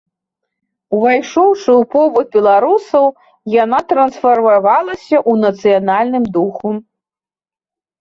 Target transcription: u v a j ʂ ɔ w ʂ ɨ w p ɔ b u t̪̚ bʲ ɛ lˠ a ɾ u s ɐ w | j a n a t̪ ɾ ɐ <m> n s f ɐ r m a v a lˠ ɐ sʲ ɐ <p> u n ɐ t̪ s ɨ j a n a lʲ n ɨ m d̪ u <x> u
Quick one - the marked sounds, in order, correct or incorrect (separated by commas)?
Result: incorrect, incorrect, correct